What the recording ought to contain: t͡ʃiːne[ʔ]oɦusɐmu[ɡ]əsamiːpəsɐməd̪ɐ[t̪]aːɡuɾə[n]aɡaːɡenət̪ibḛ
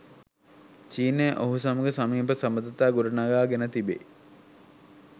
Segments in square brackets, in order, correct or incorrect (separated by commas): correct, correct, correct, correct